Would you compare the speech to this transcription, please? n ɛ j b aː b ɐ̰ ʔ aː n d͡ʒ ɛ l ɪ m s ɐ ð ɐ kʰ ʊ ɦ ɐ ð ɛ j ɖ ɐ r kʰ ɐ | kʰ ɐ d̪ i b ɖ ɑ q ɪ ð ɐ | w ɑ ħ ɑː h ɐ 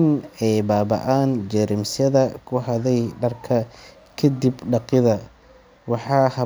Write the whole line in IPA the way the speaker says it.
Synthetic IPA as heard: n ɛ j b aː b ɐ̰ ʔ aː n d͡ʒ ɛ ɾ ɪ m s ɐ ð ɐ kʰ ʊ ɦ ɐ ð ɛ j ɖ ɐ r kʰ ɐ | kʰ ɐ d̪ i b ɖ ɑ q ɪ ð ɐ | w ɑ ħ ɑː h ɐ